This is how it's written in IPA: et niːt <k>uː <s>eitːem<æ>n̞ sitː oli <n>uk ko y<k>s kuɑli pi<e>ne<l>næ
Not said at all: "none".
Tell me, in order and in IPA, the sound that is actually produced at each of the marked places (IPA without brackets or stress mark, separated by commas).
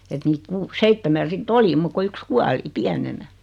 k, s, æ, m, k, æ, none